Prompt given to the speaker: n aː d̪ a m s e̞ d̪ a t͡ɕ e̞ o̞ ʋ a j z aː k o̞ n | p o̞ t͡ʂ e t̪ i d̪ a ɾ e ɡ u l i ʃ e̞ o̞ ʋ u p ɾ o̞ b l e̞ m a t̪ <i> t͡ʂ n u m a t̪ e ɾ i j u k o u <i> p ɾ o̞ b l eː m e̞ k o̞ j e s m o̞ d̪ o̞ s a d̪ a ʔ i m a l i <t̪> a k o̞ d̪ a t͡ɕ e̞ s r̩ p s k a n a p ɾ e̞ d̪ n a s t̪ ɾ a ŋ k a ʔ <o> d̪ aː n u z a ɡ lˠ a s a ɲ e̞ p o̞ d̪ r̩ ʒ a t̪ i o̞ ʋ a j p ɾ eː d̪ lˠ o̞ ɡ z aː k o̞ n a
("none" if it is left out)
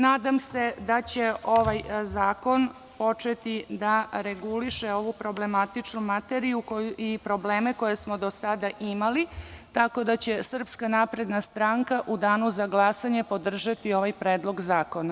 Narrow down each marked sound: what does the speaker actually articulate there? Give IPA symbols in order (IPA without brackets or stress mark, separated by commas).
i, i, t̪, u